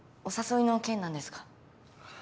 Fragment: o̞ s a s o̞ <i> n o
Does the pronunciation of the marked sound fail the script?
no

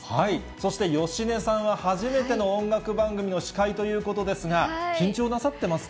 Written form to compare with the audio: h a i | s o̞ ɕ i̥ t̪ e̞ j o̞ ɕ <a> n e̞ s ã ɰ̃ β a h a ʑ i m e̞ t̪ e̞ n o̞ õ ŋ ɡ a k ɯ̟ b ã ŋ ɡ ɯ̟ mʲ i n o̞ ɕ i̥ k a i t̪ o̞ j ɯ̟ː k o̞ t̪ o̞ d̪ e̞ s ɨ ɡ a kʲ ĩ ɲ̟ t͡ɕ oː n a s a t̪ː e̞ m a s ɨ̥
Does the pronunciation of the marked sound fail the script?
yes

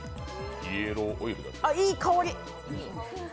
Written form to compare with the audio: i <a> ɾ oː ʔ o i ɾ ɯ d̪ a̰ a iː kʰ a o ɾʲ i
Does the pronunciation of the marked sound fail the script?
yes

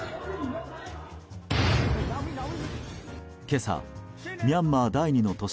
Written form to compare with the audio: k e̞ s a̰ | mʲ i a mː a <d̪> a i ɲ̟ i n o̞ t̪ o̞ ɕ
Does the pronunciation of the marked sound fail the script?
no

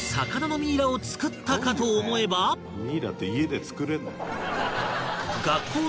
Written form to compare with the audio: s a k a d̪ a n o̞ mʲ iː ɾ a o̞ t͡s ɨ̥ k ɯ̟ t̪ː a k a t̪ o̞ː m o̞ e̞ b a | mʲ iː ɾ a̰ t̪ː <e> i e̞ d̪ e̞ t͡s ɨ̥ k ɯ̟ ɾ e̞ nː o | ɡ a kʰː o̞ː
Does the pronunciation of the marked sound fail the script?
no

